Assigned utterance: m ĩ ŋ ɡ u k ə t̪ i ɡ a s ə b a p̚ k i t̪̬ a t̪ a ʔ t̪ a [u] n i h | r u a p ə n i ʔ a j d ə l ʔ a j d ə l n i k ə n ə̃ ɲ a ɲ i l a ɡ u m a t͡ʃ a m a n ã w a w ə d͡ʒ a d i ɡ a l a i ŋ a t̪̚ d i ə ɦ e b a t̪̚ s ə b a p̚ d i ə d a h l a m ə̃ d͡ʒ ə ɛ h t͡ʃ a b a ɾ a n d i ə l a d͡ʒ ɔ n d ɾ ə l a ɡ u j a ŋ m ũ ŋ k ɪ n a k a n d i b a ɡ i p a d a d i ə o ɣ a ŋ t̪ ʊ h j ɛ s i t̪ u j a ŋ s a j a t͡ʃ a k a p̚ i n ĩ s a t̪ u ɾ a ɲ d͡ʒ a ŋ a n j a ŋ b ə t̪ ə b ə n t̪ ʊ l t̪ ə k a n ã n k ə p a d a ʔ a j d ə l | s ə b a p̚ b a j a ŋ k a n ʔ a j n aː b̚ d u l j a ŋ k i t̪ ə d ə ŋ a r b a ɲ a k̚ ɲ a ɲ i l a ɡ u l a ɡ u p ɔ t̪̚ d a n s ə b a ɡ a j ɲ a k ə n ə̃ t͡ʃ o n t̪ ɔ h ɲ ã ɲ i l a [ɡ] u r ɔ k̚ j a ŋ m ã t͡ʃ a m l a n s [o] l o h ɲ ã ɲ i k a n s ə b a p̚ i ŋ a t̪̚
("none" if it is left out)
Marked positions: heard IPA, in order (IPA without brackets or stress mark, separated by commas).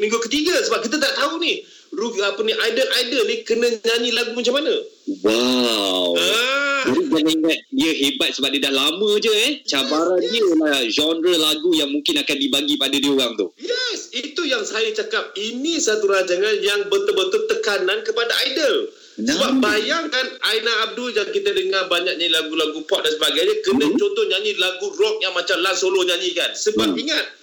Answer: u, ɡ, o